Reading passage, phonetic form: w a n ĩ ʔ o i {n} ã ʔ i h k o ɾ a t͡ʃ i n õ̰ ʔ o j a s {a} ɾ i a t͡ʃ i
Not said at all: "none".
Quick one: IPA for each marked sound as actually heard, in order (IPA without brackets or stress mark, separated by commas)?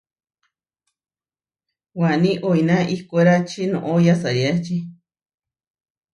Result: n, a